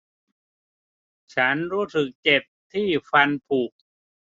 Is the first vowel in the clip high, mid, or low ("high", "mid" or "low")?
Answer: low